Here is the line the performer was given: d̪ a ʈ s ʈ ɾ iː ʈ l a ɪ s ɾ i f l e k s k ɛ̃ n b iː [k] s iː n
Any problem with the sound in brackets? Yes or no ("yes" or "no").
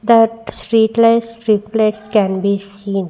yes